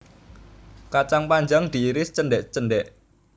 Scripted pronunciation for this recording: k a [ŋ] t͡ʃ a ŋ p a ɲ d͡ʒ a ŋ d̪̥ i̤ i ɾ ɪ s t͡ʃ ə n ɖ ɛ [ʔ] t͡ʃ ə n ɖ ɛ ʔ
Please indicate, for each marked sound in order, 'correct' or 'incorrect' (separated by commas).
incorrect, correct